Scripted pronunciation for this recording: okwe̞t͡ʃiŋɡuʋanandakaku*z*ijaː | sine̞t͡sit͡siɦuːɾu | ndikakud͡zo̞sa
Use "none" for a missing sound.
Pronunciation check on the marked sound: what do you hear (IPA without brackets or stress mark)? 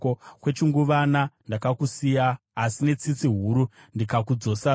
s